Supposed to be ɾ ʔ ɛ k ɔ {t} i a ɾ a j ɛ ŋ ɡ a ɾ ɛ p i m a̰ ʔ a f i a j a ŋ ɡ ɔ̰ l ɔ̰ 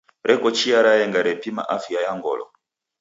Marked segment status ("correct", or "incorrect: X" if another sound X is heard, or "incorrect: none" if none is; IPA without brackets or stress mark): incorrect: t͡ʃ